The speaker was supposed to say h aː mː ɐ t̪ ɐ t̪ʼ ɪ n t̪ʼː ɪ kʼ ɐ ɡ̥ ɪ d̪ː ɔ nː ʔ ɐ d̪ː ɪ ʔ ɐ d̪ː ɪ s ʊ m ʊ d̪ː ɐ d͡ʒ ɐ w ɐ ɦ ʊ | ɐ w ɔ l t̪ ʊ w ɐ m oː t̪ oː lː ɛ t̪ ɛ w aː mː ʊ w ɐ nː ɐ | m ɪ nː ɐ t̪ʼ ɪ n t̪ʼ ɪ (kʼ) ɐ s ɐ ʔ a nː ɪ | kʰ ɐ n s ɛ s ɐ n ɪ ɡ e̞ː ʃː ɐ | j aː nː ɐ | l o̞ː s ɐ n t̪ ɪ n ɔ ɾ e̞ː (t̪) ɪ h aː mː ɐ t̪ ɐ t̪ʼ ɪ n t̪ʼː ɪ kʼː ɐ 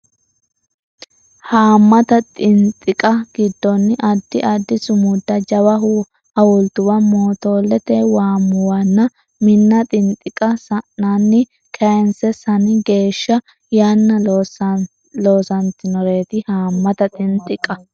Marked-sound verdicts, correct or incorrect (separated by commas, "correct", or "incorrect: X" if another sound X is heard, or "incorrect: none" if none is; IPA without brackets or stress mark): correct, correct